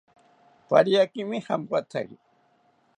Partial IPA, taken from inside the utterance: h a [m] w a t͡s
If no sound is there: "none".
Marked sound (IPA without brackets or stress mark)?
m